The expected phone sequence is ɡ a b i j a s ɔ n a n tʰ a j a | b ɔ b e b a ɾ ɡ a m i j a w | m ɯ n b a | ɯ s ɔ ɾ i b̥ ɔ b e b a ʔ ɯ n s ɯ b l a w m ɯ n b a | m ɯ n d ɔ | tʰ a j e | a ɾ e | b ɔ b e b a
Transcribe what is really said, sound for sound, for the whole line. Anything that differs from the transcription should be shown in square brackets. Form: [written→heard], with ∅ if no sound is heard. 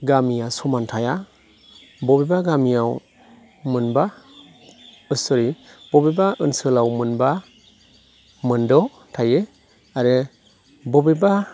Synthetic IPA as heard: ɡ a [b→m] i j a s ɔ [n→m] a n tʰ a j a | b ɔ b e b a [ɾ→∅] ɡ a m i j a w | m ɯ n b a | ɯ s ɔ ɾ i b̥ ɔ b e b a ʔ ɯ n s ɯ [b→∅] l a w m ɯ n b a | m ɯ n d ɔ | tʰ a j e | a ɾ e | b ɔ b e b a